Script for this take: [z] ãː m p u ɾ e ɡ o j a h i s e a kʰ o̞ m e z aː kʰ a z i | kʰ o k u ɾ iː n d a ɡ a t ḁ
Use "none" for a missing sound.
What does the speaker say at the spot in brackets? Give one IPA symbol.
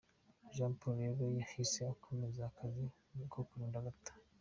ʒ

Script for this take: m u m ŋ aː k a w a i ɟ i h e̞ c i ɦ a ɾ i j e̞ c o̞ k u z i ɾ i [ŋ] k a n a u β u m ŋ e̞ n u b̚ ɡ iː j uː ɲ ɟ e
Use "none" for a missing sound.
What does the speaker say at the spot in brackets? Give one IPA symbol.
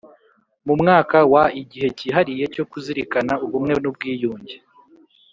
none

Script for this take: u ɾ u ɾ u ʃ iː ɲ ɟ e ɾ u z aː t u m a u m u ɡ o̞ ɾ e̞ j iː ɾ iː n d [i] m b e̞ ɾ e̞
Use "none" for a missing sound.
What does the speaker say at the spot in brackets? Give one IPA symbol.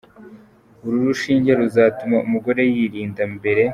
a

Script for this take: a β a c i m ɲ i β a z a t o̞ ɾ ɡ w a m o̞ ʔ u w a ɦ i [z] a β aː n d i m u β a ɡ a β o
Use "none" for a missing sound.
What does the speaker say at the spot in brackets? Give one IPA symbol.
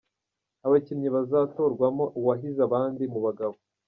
z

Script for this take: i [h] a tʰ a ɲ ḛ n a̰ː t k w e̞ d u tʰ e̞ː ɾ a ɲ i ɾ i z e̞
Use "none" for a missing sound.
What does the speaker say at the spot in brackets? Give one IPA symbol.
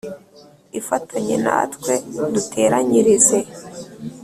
f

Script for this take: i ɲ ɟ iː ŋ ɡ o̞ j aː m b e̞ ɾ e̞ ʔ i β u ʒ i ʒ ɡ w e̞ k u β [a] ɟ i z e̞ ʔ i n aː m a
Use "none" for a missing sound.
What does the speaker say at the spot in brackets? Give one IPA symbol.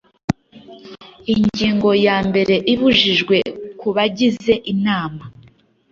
a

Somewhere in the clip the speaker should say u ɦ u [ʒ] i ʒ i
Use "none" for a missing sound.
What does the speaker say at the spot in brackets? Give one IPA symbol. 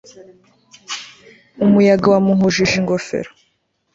ʒ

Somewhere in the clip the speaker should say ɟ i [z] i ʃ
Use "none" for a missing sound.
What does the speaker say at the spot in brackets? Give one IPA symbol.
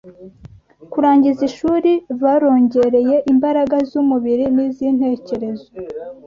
z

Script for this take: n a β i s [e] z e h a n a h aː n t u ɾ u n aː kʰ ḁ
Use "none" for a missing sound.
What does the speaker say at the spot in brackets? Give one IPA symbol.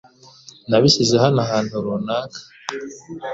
i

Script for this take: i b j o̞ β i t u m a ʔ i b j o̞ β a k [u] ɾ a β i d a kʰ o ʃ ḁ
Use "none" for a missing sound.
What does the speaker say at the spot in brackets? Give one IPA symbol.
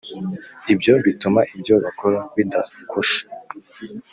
o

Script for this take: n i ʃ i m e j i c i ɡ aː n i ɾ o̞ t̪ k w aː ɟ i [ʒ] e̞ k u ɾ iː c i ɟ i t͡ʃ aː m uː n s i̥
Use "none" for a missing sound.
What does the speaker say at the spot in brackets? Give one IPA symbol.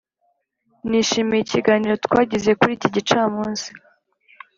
z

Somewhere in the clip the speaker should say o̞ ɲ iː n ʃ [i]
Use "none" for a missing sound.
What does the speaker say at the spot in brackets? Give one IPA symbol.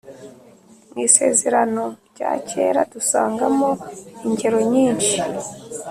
i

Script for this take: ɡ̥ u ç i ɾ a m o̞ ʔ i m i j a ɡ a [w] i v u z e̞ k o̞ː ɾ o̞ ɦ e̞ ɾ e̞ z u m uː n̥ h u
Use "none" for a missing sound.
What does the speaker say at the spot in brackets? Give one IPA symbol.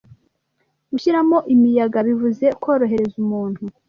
β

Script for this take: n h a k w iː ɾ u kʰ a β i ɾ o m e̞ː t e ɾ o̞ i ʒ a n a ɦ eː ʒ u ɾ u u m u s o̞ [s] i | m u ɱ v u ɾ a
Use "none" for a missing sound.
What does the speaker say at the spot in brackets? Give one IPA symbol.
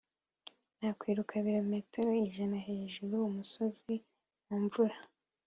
z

